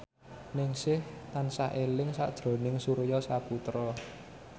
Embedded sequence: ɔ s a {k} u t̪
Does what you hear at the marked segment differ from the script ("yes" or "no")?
yes